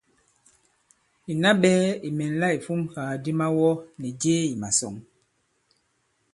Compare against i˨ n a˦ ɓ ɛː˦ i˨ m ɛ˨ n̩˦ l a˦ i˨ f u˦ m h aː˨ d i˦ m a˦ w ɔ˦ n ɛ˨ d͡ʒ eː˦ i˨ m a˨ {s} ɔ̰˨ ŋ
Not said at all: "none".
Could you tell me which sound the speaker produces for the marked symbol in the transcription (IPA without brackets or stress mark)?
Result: s